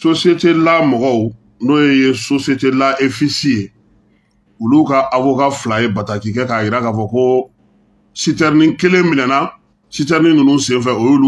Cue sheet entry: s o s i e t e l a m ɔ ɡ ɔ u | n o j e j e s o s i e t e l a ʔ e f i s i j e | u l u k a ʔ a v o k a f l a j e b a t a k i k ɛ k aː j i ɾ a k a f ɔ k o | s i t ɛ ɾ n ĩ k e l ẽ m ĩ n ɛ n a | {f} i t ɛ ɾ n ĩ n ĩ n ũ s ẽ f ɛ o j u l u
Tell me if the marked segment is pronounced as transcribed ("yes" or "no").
no